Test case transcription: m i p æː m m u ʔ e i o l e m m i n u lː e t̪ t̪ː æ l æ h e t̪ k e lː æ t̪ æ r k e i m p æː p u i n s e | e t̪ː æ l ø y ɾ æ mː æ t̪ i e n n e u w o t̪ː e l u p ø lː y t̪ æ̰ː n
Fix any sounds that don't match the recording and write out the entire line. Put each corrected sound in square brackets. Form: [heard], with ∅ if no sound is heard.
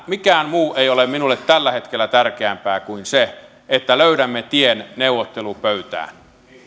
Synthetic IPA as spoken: m i [k] æː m m [uː] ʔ e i o l e m m i n u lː e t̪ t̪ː æ [lː] æ h e t̪ k e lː æ t̪ æ r k e [æ] m p æː [k] u i n s e | e t̪ː æ l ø y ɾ æ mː [e] t̪ i e n n e u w o t̪ː e l u p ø [∅] y t̪ æ̰ː n